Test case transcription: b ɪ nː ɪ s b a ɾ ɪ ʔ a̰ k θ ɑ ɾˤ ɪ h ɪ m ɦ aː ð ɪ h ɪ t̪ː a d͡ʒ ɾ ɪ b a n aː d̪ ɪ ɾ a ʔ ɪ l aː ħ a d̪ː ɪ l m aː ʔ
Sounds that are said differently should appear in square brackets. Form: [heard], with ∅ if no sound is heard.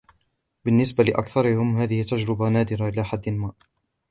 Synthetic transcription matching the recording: b ɪ nː ɪ s b a [l] ɪ ʔ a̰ k θ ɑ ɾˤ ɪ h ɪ m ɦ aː ð ɪ h ɪ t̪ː a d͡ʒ ɾ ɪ b a n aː d̪ ɪ ɾ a ʔ ɪ l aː ħ a d̪ː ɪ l m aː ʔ